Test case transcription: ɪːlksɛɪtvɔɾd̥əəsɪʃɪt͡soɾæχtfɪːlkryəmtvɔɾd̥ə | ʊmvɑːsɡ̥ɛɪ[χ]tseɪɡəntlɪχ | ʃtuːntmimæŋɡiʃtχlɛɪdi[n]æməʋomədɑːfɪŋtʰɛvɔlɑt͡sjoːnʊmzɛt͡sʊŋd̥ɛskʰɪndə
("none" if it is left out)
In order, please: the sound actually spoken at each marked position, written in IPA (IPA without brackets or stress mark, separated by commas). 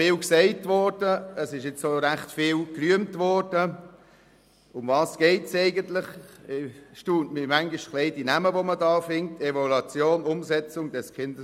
none, n